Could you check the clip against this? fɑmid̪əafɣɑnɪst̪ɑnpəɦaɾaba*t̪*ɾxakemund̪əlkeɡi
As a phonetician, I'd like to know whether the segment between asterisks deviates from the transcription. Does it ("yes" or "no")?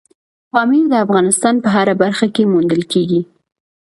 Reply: yes